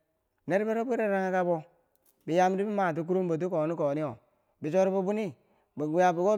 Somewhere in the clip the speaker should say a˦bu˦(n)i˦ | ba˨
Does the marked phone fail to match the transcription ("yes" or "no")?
no